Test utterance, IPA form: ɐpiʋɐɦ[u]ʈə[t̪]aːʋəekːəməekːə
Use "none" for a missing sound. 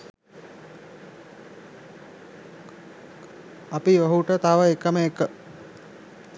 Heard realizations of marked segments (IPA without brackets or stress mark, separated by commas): u, t̪